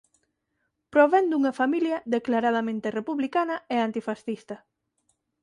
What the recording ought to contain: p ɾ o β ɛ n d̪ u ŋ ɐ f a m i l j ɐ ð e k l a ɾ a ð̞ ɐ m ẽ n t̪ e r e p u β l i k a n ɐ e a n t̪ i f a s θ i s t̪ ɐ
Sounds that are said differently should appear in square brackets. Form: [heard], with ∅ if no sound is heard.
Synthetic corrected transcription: p ɾ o β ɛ n d̪ u ŋ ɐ f a m i l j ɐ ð e k l a ɾ a ð̞ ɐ m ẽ n t̪ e r e p u β l i k a n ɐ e a n t̪ i f a s θ i s t̪ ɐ